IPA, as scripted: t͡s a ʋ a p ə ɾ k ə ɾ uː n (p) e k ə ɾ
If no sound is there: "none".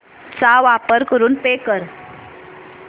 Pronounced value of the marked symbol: p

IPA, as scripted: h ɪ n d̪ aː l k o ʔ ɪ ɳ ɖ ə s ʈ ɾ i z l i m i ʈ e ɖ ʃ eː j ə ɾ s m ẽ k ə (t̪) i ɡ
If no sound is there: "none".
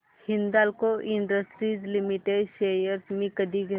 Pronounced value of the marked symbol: d̪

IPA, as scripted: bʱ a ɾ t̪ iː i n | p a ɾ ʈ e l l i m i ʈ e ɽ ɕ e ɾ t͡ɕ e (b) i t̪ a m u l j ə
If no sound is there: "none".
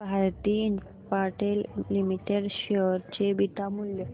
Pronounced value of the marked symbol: b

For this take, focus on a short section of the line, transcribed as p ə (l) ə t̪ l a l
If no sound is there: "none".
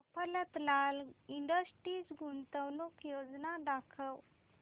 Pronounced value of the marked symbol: l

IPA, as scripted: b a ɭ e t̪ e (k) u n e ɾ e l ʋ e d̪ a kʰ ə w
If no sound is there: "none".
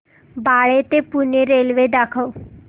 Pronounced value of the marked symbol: p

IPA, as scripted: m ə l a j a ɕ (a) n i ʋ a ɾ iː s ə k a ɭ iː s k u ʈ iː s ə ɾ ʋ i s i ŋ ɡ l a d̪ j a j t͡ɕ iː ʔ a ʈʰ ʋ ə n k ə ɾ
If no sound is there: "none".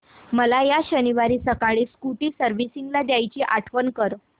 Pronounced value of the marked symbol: ə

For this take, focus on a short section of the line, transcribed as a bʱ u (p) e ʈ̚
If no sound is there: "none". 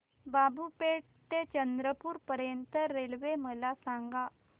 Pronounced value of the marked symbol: p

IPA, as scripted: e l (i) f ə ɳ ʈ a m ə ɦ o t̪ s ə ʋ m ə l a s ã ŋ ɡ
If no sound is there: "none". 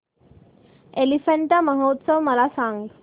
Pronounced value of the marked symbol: i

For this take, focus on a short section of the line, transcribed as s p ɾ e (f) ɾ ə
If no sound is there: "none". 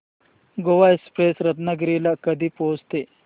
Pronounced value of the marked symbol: s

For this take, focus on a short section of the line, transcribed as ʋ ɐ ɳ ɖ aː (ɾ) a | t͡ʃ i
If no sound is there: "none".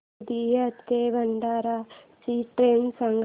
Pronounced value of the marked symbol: ɾ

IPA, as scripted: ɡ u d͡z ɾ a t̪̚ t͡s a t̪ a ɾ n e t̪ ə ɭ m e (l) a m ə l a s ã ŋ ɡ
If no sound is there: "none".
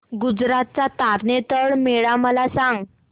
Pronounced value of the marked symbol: ɭ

